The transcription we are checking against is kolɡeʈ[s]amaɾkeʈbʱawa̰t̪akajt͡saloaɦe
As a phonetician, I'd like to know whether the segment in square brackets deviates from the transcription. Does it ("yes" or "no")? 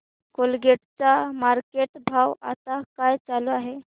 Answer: yes